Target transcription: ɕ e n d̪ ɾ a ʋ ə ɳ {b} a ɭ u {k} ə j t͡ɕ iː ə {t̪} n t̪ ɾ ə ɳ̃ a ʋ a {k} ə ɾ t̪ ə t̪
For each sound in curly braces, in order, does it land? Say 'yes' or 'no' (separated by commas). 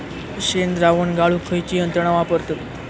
no, no, no, no